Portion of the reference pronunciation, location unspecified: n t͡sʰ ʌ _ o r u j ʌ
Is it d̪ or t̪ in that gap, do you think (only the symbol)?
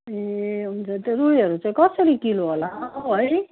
t̪